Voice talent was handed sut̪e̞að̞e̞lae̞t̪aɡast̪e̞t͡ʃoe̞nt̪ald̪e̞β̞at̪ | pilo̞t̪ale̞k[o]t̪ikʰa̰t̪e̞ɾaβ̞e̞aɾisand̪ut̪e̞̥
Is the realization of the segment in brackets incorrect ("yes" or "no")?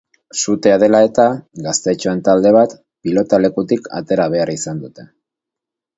yes